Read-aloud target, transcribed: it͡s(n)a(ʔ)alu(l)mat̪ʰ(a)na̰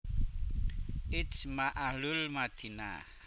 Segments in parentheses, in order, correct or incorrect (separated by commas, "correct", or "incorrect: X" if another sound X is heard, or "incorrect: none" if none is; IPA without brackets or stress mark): incorrect: m, correct, correct, incorrect: i